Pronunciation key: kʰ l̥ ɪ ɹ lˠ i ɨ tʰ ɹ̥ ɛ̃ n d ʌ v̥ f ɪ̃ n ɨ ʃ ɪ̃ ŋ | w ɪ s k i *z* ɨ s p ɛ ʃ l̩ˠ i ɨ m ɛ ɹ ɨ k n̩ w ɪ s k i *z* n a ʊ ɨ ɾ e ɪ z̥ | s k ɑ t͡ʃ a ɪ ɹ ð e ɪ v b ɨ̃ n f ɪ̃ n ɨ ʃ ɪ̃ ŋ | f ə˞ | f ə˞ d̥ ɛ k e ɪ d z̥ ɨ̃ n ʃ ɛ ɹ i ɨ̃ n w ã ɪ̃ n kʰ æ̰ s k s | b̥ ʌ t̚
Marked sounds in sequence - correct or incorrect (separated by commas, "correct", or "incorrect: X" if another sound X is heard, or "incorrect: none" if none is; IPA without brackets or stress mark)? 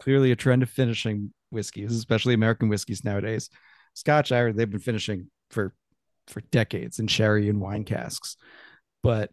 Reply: correct, correct